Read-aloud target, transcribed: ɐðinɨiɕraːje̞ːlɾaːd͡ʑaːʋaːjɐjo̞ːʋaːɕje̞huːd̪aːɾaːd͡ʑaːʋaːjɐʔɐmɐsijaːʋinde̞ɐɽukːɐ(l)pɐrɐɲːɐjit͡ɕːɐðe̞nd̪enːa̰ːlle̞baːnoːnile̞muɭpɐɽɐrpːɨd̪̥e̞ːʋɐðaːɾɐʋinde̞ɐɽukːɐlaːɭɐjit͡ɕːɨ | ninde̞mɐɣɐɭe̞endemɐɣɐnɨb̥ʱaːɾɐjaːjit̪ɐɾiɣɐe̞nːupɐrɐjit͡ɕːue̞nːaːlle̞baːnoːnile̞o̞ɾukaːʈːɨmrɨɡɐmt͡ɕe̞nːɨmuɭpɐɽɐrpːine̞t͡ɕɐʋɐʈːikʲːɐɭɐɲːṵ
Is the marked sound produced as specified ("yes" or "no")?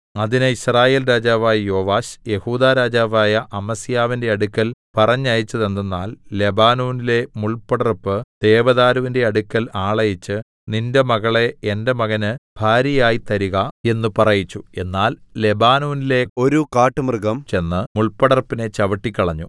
yes